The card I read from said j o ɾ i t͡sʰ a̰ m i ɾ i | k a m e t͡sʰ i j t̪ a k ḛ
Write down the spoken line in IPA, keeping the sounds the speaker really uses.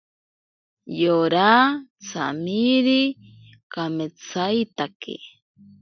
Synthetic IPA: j o ɾ a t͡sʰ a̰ m i ɾ i | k a m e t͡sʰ a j t̪ a k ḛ

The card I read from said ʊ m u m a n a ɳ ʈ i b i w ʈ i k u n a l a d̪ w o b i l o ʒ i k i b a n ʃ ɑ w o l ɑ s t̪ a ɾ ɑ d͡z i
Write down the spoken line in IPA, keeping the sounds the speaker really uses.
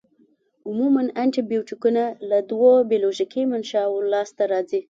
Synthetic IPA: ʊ m u m a n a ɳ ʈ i b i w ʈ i k u n a l a d̪ w o b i l o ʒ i k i m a n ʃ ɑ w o l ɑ s t̪ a ɾ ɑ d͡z i

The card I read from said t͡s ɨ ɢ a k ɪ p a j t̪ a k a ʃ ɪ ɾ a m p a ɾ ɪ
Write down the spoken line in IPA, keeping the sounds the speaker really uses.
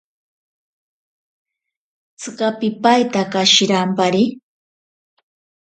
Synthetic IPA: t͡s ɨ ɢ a p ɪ p a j t̪ a k a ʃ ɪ ɾ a m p a ɾ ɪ

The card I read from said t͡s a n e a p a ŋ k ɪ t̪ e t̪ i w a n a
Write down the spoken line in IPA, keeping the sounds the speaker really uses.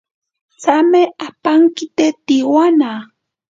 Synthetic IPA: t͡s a m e a p a ŋ k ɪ t̪ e t̪ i w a n a

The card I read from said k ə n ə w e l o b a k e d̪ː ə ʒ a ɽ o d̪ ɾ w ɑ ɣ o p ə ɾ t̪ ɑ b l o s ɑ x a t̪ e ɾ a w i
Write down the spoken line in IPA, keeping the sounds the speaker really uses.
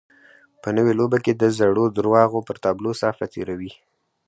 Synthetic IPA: p ə n ə w e l o b a k e d̪ ə z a ɽ o d̪ ɾ w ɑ ɣ o p ə ɾ t̪ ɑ b l o s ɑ f a t̪ e ɾ a w i

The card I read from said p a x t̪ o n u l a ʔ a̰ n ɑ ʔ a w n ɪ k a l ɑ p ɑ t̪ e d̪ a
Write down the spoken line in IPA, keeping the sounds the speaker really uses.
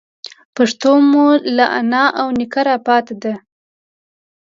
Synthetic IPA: p a ʂ t̪ o m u l a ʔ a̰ n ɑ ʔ a w n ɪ k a ɾ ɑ p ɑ t̪ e d̪ a

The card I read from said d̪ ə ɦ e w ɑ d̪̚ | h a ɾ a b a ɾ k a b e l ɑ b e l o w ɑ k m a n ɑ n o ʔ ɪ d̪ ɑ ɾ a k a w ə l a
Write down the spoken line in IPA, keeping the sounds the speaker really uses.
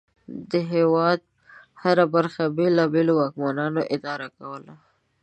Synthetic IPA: d̪ ə ɦ e w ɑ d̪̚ | h a ɾ a b a ɾ x a b e l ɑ b e l o w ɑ k m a n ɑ n o ʔ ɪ d̪ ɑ ɾ a k a w ə l a

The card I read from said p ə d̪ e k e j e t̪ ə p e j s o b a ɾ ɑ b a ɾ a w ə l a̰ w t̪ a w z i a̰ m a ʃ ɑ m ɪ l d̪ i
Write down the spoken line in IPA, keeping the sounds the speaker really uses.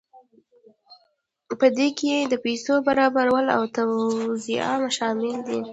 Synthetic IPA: p ə d̪ e k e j e d̪ ə p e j s o b a ɾ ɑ b a ɾ a w ə l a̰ w t̪ a w z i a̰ m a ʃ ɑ m ɪ l d̪ i

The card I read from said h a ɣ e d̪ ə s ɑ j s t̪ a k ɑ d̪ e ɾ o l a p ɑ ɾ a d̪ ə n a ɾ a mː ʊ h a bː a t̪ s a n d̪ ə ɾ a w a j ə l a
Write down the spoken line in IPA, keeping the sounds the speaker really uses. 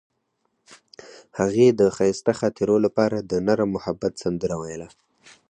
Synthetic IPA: h a ɣ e d̪ ə x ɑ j s t̪ a x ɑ t̪ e ɾ o l a p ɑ ɾ a d̪ ə n a ɾ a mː ʊ h a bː a t̪ s a n d̪ ə ɾ a w a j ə l a

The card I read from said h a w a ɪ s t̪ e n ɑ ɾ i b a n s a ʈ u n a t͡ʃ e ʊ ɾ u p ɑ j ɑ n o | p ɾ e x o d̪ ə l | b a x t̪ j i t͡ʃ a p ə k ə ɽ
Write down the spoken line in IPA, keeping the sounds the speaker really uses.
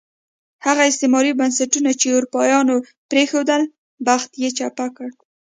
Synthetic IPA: h a ɣ a ɪ s t̪ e m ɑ ɾ i b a n s a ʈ u n a t͡ʃ e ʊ ɾ u p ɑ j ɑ n o | p ɾ e x o d̪ ə l | b a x t̪ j e t͡ʃ a p a k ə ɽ

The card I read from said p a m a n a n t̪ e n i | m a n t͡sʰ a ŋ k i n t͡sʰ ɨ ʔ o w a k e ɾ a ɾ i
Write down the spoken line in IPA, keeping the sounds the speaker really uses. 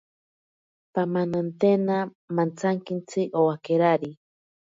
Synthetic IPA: p a m a n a n t̪ e n a | m a n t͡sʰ a ŋ k i n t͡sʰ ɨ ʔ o w a k e ɾ a ɾ i

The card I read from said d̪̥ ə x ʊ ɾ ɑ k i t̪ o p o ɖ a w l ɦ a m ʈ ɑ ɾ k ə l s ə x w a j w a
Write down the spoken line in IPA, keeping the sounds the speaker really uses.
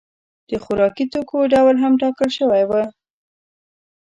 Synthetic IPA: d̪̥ ə x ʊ ɾ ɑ k i t̪ o k o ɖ a w l ɦ a m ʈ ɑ k ə l ʃ ə w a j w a

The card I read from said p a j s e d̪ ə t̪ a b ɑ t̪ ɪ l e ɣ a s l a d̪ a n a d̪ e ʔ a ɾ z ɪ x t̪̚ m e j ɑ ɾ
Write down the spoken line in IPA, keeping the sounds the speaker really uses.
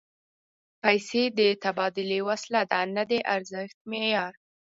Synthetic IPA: p a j s e d̪ ə t̪ a b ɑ d̪ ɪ l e w a s l a d̪ a n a d̪ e ʔ a ɾ z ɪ x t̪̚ m e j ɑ ɾ

